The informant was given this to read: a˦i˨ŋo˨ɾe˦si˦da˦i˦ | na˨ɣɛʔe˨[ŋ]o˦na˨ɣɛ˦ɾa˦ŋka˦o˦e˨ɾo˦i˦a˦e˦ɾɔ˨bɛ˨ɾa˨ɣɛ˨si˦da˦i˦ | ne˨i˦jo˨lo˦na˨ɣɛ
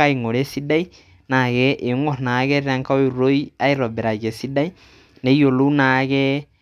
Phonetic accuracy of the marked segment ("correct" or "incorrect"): correct